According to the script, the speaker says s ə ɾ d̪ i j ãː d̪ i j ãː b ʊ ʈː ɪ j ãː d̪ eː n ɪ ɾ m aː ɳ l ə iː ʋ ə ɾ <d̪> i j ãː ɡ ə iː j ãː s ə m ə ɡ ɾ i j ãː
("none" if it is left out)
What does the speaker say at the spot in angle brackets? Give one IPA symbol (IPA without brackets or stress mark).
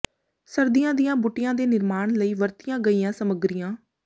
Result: t̪